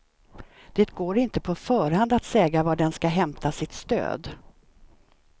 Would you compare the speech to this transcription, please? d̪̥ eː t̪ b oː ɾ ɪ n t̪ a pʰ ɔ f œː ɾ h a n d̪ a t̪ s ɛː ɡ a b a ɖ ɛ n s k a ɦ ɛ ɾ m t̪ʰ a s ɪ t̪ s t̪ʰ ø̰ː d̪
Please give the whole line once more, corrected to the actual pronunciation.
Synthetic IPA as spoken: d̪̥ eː t̪ ɡ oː ɾ ɪ n t̪ ə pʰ ɔ f œː ɾ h a n d̪ a t̪ s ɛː ɡ a v a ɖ ɛ n s k a ɦ ɛ m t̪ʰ a s ɪ t̪ s t̪ ø̰ː d̪